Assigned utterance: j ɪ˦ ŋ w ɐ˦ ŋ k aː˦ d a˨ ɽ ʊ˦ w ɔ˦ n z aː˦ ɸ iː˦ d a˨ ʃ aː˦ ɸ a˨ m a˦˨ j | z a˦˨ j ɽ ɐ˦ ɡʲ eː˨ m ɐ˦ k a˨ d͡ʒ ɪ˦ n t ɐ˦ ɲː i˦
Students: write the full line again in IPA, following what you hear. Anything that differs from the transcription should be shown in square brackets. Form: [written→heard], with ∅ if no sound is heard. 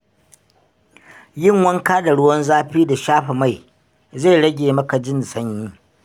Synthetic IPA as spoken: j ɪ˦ ŋ w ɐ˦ ŋ k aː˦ d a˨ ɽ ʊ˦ w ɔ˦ n z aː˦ ɸ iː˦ d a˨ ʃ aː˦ ɸ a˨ m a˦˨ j | z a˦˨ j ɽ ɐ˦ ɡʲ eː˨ m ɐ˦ k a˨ d͡ʒ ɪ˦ n [t→s] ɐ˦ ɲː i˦

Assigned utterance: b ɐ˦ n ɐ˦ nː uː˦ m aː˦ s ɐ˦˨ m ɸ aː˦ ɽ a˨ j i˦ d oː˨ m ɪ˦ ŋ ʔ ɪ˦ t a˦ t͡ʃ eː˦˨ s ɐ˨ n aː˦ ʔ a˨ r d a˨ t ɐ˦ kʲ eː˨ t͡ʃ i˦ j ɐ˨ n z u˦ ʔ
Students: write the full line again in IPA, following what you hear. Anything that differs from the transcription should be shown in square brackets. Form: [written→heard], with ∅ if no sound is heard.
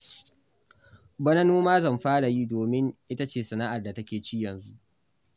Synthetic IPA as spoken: b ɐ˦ n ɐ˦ [nː→n] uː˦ m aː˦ [s→z] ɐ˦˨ m ɸ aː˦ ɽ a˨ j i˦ d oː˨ m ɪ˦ ŋ ʔ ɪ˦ t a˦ t͡ʃ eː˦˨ s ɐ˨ n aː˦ ʔ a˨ r d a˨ t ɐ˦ kʲ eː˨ t͡ʃ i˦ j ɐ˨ n z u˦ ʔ

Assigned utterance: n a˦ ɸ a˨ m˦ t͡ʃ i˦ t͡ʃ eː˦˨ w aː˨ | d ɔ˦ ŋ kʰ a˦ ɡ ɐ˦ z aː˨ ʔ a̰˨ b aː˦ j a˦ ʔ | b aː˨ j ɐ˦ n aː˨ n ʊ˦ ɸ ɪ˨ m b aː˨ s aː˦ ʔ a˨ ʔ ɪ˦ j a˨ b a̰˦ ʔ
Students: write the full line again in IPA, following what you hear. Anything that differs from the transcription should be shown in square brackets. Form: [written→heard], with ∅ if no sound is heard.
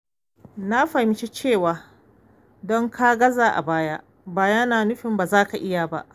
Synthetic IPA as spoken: n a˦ ɸ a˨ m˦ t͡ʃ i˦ t͡ʃ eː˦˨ w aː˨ | d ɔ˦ ŋ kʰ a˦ ɡ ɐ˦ z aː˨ ʔ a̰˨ b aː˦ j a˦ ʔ | b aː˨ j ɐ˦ n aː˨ n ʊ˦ ɸ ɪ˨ m b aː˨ [s→z] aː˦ [ʔ→k] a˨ ʔ ɪ˦ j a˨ b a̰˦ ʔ

